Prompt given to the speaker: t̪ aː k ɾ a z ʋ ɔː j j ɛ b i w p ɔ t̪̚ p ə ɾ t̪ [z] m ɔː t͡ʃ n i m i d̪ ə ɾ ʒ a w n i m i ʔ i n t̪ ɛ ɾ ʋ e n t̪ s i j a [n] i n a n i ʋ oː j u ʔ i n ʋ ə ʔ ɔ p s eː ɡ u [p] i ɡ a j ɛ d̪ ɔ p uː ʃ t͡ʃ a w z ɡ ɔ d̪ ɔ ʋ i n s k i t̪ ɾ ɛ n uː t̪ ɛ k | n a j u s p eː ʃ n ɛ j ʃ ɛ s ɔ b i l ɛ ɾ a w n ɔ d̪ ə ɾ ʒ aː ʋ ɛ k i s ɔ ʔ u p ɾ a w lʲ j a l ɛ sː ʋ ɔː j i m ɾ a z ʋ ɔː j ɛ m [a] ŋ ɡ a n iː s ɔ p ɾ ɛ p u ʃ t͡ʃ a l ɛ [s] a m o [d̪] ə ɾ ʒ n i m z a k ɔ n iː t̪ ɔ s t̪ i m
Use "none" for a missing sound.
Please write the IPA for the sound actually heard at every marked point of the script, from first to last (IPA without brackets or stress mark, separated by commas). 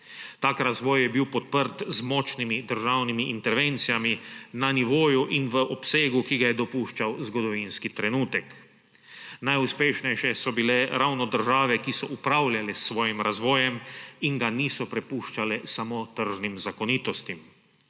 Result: z, m, k, i, s, t̪